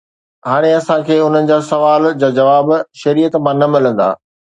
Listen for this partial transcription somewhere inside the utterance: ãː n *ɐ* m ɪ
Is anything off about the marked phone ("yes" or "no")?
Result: no